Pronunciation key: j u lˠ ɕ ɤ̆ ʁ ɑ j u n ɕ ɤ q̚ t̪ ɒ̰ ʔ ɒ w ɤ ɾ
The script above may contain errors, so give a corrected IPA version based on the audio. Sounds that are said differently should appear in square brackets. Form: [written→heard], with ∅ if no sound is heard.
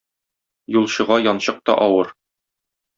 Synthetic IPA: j u lˠ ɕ ɤ̆ ʁ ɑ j [u→ɒ] n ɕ ɤ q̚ t̪ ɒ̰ ʔ ɒ w ɤ ɾ